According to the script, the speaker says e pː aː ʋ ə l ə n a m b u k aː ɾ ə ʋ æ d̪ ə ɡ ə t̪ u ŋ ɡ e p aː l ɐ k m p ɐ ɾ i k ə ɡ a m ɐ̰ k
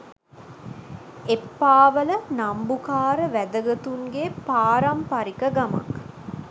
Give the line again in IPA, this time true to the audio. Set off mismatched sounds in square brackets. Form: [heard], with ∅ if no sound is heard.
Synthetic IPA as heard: e pː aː ʋ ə l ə n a m b u k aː ɾ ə ʋ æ d̪ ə ɡ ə t̪ u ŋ ɡ e p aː [ɾ] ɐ [∅] m p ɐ ɾ i k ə ɡ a m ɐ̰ k